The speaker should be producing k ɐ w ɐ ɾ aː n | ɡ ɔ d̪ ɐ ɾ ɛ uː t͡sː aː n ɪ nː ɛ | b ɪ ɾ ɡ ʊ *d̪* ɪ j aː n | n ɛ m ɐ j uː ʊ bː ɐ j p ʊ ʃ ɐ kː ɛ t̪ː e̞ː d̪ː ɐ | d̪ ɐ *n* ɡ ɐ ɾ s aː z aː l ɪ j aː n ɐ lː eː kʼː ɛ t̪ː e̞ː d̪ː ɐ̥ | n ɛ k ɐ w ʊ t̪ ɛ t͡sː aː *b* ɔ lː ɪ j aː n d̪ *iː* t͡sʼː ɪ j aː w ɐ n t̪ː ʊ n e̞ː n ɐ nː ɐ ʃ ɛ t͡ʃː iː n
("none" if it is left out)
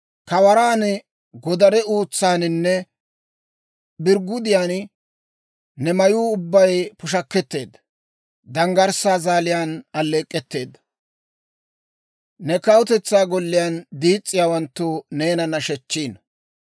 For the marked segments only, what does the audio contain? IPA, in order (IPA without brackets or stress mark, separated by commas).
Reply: d̪, ŋ, ɡ, iː